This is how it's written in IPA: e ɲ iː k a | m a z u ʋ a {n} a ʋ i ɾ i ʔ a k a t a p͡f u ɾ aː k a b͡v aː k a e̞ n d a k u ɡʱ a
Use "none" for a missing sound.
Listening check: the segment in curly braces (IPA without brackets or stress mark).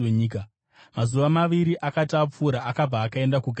m